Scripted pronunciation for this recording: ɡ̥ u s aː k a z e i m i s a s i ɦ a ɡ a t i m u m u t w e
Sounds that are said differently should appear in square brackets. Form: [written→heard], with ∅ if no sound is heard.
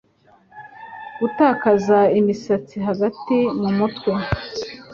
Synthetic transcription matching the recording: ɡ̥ u [s→t] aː k a z [e→a] i m i s a [s→t͡s] i ɦ a ɡ a t i m u m u t w e